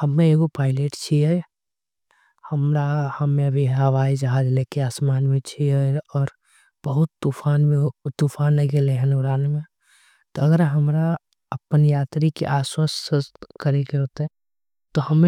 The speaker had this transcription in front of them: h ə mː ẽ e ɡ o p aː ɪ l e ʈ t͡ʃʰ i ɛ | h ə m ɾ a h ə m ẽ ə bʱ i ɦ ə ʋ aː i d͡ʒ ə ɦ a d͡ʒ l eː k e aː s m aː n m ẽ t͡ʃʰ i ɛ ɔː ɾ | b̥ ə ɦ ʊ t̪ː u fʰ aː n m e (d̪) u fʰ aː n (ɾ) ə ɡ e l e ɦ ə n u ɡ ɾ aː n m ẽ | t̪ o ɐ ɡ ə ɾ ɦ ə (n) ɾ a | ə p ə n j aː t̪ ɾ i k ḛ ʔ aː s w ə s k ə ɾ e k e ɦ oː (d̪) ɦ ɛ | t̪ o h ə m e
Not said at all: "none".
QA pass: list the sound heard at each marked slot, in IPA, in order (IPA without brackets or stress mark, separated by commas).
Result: t̪, l, m, t̪